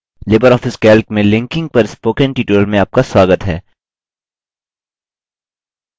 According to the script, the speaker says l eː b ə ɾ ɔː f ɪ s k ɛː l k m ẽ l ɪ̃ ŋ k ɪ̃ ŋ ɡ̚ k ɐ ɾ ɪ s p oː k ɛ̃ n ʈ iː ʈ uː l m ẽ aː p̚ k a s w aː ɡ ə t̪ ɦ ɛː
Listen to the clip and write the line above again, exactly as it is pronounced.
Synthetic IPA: l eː b ə ɾ ɔː f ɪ s k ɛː l k m ẽ l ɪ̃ ŋ k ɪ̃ ŋ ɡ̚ p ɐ ɾ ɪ s p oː k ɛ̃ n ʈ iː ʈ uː l m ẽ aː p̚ k a s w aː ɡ ə t̪ ɦ ɛː